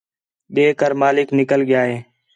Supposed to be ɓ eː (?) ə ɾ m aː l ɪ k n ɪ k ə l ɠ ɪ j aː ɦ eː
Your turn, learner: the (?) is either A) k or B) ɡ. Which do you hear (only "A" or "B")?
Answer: A